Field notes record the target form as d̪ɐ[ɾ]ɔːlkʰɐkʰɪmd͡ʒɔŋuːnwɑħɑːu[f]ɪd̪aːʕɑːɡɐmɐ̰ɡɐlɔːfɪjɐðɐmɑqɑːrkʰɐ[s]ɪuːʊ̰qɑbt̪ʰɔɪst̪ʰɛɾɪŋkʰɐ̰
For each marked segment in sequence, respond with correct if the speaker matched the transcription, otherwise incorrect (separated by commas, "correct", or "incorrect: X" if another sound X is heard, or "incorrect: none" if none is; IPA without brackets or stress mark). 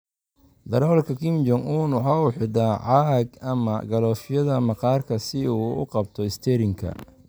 correct, incorrect: ħ, correct